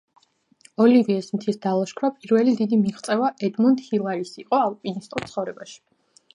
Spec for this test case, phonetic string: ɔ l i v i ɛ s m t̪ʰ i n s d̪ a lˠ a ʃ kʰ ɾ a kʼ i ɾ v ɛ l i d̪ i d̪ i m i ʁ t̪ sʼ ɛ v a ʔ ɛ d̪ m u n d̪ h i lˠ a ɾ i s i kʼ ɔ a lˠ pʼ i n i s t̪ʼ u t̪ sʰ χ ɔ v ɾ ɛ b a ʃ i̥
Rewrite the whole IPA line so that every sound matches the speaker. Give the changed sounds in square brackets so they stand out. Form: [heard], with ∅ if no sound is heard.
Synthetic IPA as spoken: ɔ l i v i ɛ s m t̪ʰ i [∅] s d̪ a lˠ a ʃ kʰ ɾ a [pʼ] i ɾ v ɛ l i d̪ i d̪ i m i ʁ t̪ sʼ ɛ v a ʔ ɛ d̪ m u n d̪ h i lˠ a ɾ i s i [qʼ] ɔ a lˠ pʼ i n i s t̪ʼ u t̪ sʰ χ ɔ v ɾ ɛ b a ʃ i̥